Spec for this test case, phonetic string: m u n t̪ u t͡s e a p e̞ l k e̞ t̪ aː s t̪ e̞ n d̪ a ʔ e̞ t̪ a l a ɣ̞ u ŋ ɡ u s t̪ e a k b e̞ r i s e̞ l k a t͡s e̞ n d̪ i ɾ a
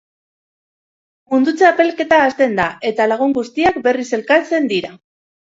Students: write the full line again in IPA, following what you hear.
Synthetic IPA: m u n d̪ u t͡s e a p e̞ l k e̞ t̪ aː s t̪ e̞ n d̪ a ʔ e̞ t̪ a l a ɣ̞ u ŋ ɡ u s t̪ i a k b e̞ r i s e̞ l k a t͡s e̞ n d̪ i ɾ a